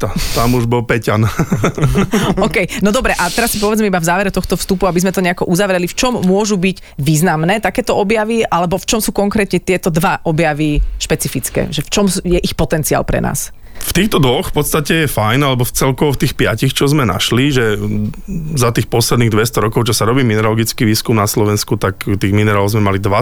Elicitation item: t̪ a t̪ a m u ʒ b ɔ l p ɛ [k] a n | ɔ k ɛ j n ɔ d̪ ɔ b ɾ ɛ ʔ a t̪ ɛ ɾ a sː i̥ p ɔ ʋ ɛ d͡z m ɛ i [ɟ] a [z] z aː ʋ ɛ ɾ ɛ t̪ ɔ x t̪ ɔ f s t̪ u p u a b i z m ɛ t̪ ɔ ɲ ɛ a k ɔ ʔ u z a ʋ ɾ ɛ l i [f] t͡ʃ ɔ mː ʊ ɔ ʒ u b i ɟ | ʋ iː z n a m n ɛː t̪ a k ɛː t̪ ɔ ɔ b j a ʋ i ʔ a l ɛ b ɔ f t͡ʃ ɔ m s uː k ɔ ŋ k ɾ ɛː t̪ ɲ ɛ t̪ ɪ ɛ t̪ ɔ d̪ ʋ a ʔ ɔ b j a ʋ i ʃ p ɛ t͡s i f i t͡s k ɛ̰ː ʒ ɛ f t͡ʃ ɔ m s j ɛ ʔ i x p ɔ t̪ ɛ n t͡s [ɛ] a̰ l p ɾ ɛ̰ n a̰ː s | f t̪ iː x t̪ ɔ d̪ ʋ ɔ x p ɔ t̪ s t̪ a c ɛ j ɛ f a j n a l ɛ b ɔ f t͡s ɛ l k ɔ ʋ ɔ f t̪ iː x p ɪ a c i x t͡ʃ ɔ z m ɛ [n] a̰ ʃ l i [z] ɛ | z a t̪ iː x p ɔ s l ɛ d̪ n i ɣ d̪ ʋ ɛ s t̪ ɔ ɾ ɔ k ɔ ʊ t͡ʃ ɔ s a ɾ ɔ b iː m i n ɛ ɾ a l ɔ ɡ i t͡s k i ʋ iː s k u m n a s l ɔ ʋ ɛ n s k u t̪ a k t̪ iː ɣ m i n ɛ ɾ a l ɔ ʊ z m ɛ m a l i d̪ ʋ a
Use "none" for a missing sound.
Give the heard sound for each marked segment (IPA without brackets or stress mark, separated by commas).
c, b, v, f, i, n, ʒ